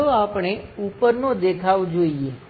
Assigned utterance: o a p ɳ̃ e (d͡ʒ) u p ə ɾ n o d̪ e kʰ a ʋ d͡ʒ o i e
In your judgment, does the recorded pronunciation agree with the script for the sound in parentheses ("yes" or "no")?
no